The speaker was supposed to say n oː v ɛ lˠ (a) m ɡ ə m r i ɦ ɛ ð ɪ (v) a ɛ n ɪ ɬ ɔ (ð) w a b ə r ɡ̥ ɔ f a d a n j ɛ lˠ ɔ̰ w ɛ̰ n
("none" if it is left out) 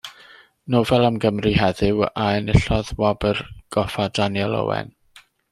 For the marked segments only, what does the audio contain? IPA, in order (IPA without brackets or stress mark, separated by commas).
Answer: a, w, ð